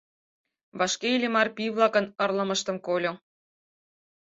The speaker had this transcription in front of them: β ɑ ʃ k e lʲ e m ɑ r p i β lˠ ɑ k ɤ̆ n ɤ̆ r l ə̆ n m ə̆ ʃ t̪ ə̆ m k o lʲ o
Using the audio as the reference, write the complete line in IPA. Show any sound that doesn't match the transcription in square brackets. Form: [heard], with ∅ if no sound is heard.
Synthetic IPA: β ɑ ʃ k e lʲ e m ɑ r p i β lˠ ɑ k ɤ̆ n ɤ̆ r l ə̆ [∅] m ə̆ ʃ t̪ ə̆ m k o lʲ o